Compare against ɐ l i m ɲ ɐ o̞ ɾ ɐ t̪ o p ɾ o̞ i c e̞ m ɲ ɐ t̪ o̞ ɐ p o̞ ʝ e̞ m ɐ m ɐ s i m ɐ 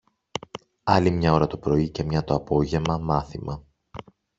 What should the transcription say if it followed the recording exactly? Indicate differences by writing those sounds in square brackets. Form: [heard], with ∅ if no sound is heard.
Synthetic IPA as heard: ɐ l i m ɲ ɐ o̞ ɾ ɐ t̪ o p ɾ o̞ i c e̞ m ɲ ɐ t̪ o̞ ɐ p o̞ ʝ e̞ m ɐ m ɐ [θ] i m ɐ